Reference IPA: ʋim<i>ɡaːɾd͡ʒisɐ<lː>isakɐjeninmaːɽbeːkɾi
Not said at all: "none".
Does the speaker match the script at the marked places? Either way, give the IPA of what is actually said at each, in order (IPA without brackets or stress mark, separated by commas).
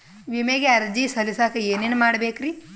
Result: e, l